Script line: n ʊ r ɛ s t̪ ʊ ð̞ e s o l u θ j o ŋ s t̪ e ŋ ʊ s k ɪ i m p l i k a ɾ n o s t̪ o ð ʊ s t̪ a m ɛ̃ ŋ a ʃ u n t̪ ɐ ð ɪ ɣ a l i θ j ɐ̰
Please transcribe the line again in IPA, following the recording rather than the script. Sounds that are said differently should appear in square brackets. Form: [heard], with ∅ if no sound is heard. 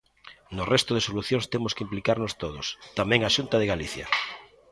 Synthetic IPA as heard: n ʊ r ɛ s t̪ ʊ ð̞ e s o l u θ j o ŋ s t̪ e [m] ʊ s k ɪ i m p l i k a ɾ n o s t̪ o ð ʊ s t̪ a m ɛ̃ ŋ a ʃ u n t̪ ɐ ð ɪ ɣ a l i θ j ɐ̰